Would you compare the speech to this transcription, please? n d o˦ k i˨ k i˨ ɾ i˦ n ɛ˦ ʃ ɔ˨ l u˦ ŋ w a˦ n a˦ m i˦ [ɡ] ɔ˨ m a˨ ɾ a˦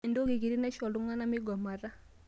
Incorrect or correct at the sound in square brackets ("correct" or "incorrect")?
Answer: correct